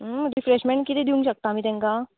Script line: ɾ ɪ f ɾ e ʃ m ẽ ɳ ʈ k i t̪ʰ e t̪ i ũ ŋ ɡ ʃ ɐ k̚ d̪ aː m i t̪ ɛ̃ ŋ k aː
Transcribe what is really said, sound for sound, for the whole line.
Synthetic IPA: ɾ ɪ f ɾ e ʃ m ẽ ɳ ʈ k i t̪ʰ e d̪ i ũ ŋ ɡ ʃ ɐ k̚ t̪ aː m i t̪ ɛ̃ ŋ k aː